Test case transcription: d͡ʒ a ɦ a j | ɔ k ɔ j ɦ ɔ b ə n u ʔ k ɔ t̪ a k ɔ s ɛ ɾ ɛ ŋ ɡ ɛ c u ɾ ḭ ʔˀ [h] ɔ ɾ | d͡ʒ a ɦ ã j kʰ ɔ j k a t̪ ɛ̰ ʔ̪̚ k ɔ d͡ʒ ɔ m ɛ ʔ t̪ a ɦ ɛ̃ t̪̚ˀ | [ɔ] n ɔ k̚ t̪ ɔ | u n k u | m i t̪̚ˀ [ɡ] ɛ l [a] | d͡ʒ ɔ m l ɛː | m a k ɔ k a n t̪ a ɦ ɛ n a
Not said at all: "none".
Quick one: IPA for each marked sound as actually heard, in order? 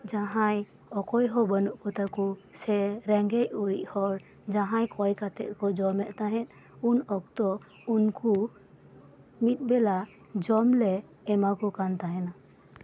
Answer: h, u, b, a

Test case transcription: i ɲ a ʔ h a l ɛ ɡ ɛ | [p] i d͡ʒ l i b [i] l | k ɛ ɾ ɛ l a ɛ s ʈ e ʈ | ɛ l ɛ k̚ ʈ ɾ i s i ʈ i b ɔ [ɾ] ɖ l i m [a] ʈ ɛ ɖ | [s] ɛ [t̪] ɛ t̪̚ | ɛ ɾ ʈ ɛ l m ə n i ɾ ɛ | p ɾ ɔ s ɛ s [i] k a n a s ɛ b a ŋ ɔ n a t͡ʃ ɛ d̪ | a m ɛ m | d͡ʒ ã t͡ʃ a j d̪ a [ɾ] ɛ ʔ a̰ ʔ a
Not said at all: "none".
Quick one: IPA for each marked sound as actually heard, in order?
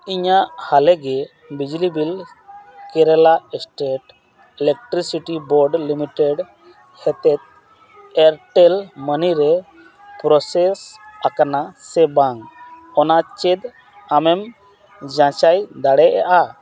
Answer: b, i, ɾ, i, h, t̪, a, ɽ

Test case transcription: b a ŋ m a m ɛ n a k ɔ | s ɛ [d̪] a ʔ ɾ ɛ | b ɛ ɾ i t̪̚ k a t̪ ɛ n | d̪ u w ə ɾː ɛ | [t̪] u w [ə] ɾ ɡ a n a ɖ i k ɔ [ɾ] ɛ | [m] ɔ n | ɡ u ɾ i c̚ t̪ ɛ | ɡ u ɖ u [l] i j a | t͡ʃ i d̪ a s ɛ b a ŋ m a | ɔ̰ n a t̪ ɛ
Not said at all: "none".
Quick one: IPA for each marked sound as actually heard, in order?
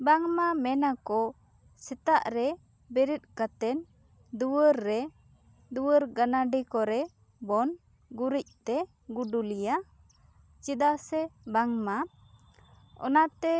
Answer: t̪, d̪, ə, ɾ, b, l

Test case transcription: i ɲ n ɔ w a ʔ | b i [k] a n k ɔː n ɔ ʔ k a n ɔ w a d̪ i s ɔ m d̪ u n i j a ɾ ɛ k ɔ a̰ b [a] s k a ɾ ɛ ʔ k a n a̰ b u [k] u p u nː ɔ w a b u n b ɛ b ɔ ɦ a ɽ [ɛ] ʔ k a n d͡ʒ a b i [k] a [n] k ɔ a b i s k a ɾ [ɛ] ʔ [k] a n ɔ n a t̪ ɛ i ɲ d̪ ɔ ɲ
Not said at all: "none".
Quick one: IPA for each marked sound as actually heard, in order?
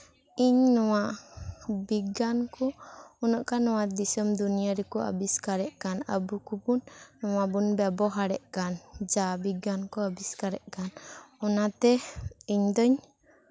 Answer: ɡ, i, k, ɛ, ɡ, n, ɛ, k

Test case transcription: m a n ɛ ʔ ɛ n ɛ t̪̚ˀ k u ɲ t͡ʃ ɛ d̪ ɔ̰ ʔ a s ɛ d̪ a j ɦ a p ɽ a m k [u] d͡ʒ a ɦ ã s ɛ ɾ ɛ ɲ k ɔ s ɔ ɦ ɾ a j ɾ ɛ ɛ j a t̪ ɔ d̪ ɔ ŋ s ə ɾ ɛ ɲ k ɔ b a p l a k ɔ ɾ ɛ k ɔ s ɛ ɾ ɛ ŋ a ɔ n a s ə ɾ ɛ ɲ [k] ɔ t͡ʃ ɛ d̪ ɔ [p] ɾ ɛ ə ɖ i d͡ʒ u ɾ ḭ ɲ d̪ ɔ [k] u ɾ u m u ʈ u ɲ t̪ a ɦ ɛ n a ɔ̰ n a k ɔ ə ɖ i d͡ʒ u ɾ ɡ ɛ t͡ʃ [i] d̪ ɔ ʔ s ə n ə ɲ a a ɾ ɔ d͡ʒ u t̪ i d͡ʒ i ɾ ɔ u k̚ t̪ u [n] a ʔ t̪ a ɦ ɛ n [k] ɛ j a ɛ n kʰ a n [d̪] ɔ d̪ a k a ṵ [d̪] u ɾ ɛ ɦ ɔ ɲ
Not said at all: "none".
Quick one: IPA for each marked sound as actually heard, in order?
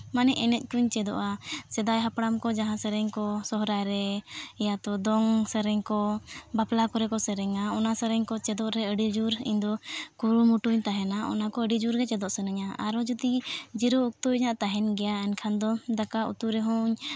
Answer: ɔ, k, ʔ, k, ɛ, ɲ, ɡ, d̪, t̪

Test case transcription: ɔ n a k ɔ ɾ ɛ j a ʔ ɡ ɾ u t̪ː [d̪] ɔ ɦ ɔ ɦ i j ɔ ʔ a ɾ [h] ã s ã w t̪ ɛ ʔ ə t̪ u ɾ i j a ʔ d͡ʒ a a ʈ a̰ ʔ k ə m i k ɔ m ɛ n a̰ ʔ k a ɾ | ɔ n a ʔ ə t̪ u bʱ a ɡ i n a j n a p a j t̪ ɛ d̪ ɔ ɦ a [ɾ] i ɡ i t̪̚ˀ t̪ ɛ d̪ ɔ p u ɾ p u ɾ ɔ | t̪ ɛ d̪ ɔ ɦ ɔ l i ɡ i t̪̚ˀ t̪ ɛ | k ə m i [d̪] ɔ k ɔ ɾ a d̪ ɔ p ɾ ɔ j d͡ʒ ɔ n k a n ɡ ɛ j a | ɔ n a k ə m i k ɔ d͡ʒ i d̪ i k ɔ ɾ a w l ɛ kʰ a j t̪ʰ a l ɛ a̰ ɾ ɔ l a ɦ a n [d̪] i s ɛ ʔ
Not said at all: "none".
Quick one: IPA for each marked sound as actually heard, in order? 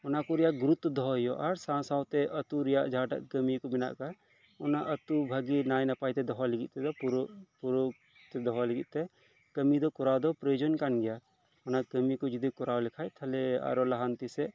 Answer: d̪, s, l, d̪, t̪

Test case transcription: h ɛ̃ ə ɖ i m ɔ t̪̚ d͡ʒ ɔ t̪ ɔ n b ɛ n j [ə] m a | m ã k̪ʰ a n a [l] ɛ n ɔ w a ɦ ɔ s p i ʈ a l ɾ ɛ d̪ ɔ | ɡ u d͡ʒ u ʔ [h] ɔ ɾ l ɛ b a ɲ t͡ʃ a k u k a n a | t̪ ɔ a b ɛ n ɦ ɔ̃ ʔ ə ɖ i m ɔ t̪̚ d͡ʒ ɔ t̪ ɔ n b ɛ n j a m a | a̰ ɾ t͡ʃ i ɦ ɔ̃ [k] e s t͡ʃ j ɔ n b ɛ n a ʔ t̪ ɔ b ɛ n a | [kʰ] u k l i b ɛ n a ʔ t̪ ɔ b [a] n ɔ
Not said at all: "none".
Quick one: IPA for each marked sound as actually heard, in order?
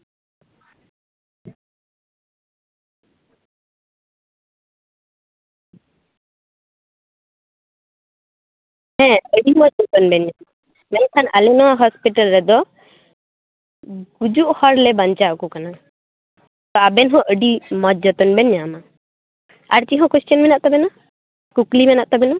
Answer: a, l, h, k, k, ɛ

